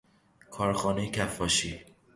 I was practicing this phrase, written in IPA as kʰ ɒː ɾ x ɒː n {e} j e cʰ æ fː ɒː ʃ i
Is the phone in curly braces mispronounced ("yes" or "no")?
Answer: no